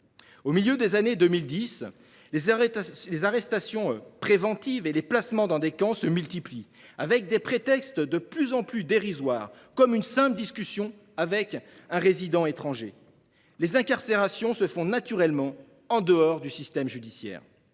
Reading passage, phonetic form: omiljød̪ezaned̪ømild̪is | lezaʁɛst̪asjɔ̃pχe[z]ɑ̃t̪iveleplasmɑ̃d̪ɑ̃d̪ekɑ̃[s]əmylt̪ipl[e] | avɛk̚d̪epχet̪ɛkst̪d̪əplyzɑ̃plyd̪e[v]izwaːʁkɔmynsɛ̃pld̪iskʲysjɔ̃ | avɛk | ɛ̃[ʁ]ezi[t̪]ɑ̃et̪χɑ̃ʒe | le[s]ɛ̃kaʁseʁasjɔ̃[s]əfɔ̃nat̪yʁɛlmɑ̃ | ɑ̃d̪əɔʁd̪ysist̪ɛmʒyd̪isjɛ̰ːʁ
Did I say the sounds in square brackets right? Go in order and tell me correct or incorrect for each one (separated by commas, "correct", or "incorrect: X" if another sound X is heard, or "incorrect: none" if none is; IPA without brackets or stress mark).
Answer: incorrect: v, correct, incorrect: i, incorrect: ʁ, correct, incorrect: d̪, incorrect: z, correct